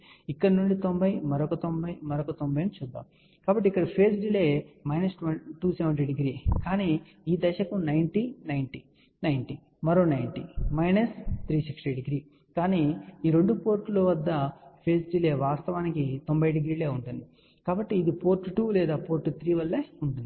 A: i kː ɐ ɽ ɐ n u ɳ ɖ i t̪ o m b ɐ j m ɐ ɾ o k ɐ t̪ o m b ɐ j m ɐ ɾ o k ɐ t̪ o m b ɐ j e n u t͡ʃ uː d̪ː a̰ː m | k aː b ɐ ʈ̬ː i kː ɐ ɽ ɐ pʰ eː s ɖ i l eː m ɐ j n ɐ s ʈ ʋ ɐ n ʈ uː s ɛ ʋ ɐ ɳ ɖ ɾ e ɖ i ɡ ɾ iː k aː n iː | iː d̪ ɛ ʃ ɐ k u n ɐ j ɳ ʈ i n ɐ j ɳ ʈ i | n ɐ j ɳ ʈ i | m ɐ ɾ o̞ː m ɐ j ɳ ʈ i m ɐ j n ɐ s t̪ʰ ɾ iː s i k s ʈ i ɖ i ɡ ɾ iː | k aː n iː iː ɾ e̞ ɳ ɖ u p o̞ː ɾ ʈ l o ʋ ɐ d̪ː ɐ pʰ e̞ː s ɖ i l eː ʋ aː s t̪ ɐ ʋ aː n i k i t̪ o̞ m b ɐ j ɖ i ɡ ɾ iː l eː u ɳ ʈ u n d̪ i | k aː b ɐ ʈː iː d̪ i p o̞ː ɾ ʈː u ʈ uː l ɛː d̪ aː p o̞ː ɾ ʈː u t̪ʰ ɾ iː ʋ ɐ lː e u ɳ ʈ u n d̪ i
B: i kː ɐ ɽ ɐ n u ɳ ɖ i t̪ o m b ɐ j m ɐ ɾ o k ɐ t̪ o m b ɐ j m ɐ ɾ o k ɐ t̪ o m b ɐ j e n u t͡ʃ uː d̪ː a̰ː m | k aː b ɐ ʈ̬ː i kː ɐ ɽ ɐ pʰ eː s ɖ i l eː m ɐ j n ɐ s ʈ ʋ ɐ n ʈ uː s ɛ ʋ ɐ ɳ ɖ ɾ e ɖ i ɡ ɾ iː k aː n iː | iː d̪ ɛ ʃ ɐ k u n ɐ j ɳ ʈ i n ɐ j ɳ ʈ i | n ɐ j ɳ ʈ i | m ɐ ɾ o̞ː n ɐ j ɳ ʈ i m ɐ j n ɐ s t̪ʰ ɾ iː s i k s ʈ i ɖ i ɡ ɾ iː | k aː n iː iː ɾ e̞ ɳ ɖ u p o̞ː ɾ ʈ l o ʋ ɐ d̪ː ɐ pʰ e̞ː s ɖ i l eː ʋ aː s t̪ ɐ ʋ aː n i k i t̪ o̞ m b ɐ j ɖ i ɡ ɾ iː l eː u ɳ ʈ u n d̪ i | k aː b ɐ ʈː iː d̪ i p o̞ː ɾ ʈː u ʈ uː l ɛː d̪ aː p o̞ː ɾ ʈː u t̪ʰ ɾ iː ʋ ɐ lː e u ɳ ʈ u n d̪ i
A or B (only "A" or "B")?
B